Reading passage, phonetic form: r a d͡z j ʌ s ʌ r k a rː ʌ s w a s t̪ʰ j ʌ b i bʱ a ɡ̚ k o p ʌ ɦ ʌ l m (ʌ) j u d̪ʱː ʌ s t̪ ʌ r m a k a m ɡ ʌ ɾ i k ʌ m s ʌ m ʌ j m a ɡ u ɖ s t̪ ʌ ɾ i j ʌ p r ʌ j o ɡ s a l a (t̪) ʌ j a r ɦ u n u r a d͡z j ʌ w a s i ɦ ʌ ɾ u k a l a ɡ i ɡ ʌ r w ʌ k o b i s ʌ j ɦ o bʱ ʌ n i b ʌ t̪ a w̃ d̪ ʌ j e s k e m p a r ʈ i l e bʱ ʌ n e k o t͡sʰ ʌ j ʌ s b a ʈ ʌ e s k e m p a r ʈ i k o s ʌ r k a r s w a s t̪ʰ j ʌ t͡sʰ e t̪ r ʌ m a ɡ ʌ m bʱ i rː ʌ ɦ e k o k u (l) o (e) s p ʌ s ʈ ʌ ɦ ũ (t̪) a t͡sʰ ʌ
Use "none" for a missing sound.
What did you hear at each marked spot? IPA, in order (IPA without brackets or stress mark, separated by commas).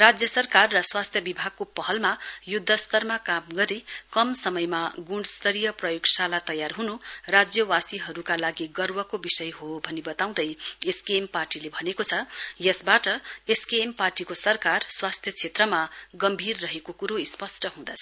a, t̪, ɾ, i, d̪